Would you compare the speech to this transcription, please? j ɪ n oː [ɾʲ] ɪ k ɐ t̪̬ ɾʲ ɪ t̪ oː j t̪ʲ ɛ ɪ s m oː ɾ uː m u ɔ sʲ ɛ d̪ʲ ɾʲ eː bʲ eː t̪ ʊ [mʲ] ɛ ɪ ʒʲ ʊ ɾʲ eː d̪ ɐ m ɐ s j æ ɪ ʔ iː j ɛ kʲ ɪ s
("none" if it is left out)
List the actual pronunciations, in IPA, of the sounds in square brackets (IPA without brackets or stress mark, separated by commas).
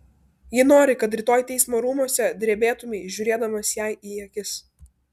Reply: ɾʲ, mʲ